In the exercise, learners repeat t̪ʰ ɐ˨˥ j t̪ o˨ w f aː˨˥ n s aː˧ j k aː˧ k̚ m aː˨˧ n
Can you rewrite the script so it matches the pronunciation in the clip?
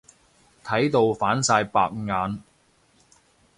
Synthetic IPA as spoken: t̪ʰ ɐ˨˥ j t̪ o˨ w f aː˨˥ n s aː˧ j p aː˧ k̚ ŋ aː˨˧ n